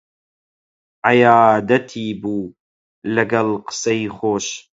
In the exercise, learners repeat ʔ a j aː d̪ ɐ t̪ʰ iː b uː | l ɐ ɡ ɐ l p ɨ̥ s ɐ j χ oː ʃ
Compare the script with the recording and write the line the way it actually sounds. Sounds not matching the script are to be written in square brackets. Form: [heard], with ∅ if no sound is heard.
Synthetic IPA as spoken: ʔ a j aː d̪ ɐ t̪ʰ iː b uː | l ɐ ɡ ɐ l [q] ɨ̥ s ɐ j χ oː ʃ